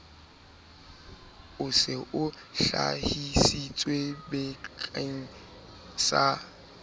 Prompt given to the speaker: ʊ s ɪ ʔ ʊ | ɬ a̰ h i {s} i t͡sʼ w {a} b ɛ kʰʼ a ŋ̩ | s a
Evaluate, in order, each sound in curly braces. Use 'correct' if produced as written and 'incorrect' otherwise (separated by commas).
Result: correct, incorrect